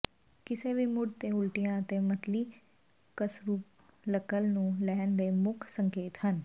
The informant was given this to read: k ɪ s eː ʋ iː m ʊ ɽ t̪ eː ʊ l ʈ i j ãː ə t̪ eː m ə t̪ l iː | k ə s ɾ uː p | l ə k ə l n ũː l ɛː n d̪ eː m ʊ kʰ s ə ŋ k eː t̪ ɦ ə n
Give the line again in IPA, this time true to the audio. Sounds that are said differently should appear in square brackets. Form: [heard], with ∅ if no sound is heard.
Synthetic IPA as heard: k ɪ s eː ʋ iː m ʊ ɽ t̪ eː ʊ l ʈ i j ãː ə t̪ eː m ə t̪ l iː | k ə s ɾ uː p | l ə k ə l n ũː l ɛː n d̪ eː m ʊ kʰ s ə ŋ k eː t̪ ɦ ə n